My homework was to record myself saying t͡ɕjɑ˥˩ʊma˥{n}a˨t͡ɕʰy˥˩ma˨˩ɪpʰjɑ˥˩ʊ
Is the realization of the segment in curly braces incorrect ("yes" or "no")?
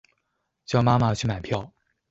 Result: yes